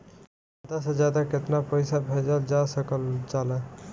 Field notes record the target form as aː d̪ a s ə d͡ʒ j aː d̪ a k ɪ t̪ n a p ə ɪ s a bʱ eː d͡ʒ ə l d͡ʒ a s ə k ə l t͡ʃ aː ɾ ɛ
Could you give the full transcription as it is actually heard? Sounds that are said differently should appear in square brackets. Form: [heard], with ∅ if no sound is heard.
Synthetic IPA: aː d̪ a s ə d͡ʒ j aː d̪ a k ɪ t̪ n a p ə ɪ s a bʱ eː d͡ʒ ə l d͡ʒ a s ə k ə l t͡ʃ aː [l] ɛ